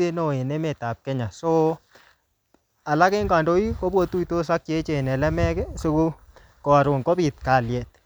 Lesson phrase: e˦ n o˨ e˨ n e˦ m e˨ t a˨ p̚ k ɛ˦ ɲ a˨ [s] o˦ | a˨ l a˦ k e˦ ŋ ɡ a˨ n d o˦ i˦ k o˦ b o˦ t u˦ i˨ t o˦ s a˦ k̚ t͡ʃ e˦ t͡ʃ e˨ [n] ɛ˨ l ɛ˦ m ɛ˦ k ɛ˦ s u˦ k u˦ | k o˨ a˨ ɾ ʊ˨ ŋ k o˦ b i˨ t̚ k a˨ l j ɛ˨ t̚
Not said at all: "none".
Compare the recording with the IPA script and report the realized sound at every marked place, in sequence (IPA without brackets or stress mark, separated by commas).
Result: s, n